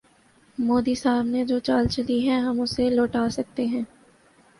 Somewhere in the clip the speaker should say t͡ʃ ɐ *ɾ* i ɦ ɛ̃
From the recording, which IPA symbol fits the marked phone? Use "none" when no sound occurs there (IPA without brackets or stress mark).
l